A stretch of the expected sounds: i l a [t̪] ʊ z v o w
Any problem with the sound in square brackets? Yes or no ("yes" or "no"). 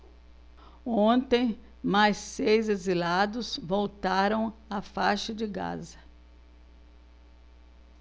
yes